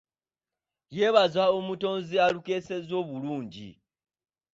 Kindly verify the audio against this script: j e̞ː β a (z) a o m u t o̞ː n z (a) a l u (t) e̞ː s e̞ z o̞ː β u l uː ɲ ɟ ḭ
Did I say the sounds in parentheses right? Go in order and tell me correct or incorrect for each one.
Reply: correct, incorrect, incorrect

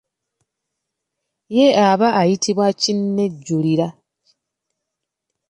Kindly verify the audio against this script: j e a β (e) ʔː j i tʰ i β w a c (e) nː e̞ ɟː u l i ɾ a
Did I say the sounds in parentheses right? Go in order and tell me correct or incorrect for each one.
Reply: incorrect, incorrect

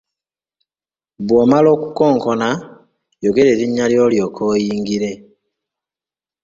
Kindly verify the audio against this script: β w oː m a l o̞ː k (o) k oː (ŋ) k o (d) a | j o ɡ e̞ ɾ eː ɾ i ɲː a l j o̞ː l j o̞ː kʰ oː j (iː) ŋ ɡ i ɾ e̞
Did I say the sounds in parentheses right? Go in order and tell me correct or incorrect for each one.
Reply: incorrect, correct, incorrect, correct

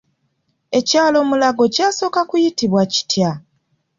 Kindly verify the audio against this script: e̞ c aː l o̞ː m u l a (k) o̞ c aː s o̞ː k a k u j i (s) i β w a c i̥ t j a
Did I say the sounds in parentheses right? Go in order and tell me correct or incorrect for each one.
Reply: incorrect, incorrect

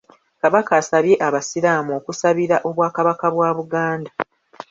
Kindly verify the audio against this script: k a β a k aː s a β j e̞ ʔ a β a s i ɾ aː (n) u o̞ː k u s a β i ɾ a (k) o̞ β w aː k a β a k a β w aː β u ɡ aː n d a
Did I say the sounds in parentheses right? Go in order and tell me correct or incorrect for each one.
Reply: incorrect, incorrect

